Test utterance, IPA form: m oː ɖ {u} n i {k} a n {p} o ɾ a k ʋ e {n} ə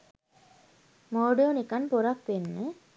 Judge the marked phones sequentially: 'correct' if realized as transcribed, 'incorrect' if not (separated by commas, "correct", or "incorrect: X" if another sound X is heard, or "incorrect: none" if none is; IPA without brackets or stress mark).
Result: incorrect: o, correct, correct, incorrect: nː